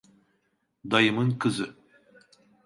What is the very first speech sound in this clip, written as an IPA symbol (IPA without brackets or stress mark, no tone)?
d̪